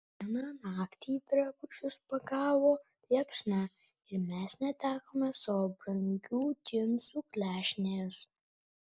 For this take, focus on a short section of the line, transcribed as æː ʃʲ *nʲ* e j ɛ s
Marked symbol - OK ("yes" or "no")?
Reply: yes